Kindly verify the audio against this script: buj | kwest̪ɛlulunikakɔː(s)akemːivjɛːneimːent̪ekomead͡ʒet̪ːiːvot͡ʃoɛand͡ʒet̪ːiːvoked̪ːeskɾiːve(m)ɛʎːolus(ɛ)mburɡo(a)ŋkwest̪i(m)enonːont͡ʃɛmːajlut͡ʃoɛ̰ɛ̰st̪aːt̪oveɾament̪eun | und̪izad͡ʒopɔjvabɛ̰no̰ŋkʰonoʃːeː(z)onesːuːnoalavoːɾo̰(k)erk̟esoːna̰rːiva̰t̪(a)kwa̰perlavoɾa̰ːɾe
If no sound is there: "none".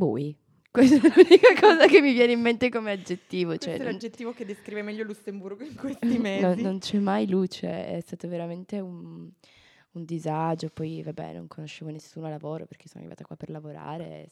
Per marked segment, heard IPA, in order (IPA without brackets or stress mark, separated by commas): z, m, e, i, m, v, p, a